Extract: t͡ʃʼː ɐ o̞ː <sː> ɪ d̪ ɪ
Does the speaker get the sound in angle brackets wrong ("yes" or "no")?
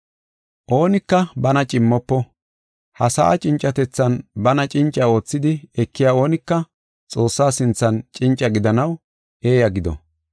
yes